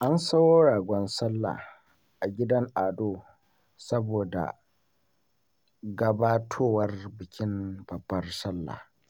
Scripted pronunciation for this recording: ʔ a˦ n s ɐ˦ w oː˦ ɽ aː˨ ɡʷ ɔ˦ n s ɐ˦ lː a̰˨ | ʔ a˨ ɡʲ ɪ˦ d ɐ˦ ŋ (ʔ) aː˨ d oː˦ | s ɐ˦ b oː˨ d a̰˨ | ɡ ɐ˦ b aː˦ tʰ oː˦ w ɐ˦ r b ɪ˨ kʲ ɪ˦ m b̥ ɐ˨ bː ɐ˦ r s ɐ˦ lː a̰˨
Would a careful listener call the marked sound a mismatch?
no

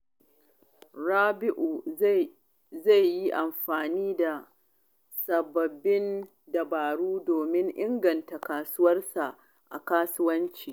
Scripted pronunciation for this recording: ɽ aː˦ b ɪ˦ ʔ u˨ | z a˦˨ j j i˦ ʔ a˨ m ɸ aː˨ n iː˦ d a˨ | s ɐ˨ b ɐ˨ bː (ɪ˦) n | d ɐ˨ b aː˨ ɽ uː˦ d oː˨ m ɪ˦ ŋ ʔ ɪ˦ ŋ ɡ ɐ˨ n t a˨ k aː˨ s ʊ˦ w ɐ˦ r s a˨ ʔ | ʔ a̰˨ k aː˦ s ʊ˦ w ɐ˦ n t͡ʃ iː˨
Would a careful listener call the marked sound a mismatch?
no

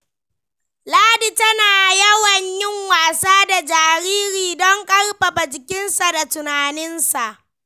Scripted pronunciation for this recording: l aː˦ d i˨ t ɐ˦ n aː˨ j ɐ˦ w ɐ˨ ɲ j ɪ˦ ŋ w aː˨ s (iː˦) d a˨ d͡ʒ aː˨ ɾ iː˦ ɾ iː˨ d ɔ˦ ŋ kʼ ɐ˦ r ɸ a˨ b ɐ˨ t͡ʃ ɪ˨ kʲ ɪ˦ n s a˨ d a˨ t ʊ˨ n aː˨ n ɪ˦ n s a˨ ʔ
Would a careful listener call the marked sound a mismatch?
yes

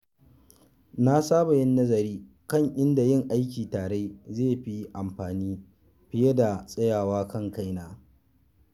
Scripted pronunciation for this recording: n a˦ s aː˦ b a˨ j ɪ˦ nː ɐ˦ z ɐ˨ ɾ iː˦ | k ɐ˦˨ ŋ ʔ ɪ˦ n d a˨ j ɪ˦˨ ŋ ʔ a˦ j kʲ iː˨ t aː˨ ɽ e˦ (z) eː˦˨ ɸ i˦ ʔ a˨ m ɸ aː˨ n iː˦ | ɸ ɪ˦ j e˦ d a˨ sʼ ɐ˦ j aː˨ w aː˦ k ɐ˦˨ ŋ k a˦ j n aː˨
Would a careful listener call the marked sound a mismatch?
no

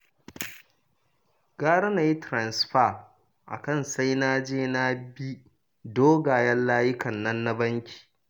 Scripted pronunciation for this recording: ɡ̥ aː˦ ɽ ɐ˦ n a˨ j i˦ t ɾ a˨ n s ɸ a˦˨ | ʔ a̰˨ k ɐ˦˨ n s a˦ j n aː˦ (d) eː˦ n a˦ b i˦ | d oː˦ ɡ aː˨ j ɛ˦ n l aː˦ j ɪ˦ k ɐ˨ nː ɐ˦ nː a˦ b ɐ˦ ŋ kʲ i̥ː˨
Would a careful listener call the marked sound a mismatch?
yes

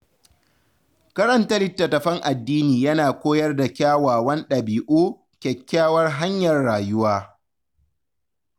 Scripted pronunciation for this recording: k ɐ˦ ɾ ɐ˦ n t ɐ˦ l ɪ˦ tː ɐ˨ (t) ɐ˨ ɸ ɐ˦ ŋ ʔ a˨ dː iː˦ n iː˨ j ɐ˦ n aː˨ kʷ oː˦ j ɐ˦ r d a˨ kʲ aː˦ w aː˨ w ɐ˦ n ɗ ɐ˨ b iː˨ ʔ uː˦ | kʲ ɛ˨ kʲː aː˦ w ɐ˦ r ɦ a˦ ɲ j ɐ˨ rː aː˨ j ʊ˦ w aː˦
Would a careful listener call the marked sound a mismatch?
no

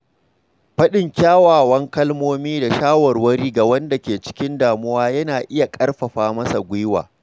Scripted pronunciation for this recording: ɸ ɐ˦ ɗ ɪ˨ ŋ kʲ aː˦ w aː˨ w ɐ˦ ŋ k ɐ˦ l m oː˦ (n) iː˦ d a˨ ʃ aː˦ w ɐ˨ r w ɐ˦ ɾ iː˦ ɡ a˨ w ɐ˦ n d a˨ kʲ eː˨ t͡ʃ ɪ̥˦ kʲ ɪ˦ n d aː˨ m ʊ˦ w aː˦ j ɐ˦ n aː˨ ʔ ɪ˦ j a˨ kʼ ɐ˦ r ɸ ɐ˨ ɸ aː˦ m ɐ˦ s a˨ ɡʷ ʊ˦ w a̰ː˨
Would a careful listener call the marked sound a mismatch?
yes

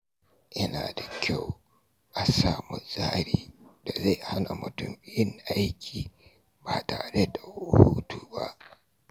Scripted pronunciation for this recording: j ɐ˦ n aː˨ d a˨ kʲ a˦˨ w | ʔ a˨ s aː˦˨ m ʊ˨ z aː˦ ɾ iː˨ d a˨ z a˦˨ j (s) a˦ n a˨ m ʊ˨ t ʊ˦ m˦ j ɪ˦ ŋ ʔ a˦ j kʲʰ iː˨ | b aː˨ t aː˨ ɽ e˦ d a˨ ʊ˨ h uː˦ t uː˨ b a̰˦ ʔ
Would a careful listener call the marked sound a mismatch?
yes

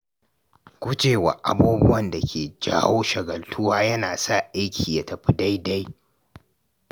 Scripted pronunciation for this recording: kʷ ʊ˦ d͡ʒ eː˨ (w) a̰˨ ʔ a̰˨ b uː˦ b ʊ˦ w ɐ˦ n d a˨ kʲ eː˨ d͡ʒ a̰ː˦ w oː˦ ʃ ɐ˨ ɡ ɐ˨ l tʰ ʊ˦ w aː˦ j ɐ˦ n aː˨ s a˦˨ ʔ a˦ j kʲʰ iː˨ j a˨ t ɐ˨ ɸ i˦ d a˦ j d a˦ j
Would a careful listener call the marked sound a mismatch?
no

